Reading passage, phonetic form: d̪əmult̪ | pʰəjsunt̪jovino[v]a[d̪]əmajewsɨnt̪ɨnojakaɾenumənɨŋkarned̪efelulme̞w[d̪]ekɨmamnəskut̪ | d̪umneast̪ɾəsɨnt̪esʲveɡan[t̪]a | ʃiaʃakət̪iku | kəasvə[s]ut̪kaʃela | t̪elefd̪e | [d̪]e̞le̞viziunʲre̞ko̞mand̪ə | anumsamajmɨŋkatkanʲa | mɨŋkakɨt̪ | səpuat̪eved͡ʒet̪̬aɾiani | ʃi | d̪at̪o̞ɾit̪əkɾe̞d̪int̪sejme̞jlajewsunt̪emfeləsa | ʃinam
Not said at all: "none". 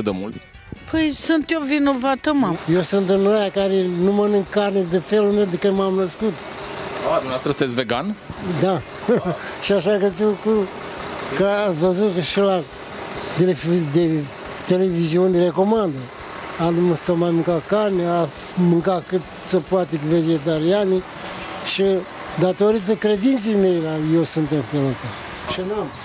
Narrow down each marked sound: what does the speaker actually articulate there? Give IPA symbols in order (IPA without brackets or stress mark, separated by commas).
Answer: v, t̪, d̪, d̪, z, t̪